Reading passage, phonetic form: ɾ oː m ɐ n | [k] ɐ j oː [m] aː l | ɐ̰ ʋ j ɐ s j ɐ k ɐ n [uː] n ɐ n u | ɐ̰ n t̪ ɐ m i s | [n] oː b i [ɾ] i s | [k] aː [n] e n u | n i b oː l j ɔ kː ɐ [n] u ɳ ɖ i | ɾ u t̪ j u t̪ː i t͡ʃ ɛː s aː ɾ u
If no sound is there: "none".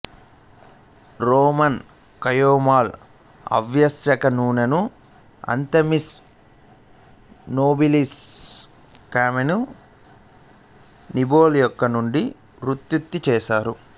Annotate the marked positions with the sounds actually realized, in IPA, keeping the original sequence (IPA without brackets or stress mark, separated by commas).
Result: k, m, uː, n, l, k, m, n